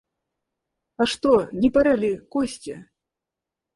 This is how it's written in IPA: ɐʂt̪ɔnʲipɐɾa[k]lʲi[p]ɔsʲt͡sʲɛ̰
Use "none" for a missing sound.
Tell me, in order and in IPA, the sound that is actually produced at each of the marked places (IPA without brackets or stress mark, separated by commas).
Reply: none, k